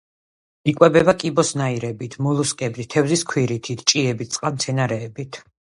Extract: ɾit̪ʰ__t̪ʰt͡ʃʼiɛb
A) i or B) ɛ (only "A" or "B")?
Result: A